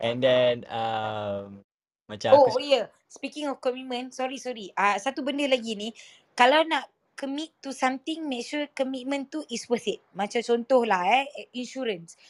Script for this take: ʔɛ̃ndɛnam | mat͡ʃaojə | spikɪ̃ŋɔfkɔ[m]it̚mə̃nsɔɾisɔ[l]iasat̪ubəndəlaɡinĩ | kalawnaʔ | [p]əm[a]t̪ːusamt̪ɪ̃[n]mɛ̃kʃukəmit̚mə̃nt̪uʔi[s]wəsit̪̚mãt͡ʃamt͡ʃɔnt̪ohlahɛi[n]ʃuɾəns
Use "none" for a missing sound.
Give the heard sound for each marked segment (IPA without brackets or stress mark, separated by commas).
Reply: m, ɾ, k, i, ŋ, s, n